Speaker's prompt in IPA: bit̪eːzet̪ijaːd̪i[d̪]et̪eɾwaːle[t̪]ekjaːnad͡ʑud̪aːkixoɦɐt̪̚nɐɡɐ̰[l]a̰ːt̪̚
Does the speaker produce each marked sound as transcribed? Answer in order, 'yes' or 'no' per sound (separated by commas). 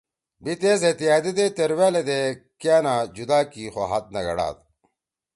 yes, no, no